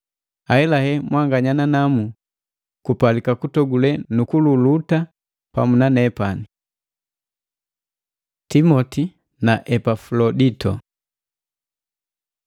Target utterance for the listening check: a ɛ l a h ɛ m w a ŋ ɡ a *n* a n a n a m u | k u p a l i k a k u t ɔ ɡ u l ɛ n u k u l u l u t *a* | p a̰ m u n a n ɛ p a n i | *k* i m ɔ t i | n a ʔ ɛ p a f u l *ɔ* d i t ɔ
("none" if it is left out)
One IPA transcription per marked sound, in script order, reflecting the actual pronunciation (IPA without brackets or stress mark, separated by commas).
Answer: ɲ, a, t, ɔ